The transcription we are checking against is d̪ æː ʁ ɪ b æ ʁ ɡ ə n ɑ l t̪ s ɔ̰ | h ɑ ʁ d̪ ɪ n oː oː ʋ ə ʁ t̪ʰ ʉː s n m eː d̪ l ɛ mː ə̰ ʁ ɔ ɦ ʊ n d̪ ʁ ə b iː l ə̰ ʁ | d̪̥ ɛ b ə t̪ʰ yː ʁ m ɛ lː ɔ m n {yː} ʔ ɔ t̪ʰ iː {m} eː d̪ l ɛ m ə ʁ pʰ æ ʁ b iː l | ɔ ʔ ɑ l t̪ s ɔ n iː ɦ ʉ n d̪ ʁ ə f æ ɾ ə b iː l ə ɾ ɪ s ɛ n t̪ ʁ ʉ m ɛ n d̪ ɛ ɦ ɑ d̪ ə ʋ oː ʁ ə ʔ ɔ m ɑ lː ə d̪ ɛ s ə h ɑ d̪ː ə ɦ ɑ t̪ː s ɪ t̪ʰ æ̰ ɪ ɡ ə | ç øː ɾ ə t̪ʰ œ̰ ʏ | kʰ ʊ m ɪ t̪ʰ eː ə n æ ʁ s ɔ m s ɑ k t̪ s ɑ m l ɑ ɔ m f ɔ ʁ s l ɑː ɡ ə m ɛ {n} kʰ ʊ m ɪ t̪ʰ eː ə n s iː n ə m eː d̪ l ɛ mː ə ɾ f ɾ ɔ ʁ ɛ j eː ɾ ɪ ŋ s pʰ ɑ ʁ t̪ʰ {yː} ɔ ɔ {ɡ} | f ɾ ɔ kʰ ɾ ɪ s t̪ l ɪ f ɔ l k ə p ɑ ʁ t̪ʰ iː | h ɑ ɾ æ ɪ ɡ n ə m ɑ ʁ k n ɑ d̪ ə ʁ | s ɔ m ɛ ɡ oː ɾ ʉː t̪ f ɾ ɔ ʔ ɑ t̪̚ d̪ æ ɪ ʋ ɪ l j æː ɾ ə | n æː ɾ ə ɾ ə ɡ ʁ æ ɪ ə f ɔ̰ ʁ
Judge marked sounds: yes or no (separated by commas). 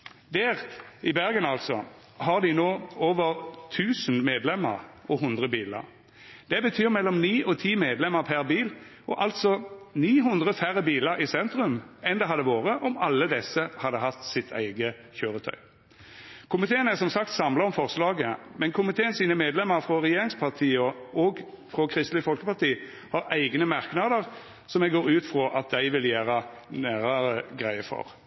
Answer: no, yes, yes, no, yes